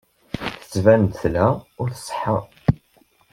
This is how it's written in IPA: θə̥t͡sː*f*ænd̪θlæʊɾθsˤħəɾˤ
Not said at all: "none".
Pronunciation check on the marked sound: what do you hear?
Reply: v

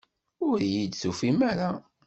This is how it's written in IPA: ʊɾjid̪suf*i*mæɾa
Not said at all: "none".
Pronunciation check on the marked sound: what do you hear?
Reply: i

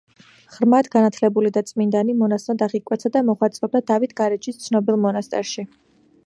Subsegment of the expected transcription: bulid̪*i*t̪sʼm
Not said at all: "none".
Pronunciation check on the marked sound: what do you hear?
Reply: a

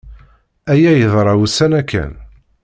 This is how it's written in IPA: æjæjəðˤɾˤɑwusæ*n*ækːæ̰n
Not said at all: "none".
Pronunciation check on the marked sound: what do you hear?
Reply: n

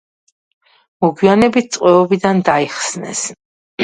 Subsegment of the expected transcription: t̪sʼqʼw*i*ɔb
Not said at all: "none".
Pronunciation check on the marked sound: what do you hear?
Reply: ɛ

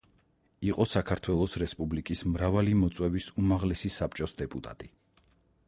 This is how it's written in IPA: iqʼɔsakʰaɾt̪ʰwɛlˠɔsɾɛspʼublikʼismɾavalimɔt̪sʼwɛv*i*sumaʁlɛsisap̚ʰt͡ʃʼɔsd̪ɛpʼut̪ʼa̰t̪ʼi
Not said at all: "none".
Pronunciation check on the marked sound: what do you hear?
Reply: i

